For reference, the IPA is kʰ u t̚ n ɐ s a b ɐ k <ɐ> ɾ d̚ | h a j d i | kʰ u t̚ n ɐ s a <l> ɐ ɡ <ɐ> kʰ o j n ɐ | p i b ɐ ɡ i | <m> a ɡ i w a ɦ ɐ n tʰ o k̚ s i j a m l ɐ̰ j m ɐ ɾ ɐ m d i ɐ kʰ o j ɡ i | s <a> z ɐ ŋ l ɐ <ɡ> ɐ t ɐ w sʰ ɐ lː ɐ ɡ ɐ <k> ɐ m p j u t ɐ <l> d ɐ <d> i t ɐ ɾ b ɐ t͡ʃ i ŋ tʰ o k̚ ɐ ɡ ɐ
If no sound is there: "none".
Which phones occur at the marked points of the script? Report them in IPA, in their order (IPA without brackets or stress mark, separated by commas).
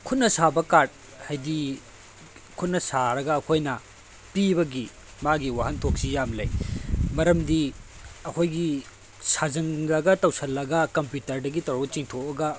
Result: a, ɾ, ɐː, m, a, ɡ, k, ɾ, ɡ